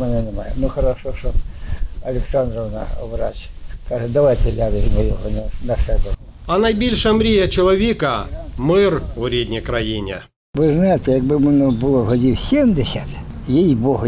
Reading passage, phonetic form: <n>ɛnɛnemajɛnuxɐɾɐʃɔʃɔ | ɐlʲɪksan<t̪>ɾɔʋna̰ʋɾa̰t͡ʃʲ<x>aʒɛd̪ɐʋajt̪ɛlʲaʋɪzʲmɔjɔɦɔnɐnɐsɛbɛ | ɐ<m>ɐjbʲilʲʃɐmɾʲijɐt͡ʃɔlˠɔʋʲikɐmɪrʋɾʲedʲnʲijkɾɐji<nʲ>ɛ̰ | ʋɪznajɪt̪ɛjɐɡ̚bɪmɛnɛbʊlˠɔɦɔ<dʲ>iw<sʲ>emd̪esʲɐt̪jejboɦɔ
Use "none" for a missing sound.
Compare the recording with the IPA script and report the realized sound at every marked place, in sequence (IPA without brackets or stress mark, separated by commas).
m, d̪, k, n, nʲ, dʲ, sʲ